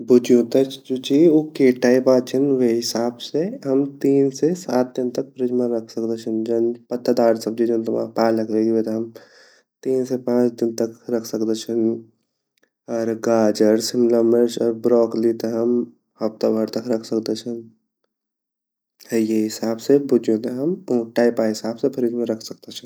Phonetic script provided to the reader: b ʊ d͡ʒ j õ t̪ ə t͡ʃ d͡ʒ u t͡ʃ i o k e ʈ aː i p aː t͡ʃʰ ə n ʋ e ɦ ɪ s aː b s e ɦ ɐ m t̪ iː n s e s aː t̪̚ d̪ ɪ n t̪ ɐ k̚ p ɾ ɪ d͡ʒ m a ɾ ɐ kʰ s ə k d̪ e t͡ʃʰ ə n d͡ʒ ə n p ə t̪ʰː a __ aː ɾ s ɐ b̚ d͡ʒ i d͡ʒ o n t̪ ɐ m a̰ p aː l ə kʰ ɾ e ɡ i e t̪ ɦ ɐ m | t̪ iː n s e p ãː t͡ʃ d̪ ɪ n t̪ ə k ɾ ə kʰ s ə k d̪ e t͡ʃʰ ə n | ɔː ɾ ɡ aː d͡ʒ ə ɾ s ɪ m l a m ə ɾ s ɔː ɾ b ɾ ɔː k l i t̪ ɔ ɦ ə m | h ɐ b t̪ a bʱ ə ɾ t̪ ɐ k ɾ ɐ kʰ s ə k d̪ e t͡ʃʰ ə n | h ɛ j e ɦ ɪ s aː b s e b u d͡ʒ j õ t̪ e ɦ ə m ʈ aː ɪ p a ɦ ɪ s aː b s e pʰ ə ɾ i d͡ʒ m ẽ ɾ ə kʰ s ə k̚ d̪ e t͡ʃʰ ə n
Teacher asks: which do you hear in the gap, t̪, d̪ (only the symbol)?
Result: d̪